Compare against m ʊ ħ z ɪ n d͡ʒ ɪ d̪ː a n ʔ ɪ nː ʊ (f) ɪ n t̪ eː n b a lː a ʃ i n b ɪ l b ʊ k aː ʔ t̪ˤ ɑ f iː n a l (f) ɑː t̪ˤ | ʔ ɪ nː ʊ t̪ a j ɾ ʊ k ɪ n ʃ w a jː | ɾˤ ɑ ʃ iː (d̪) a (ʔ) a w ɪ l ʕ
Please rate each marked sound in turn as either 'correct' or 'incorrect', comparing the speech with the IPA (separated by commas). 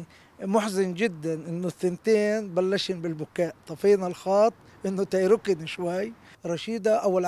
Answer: incorrect, incorrect, correct, correct